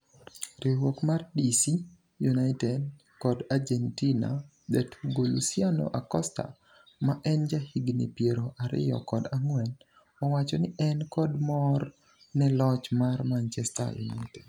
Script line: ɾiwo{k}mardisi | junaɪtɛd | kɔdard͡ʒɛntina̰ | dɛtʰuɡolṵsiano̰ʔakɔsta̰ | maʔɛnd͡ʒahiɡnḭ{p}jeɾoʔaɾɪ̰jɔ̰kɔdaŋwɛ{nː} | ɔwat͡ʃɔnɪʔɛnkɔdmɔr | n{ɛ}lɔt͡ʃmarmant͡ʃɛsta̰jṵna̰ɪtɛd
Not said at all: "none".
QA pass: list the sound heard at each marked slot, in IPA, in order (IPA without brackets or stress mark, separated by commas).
k, p, n, ɛ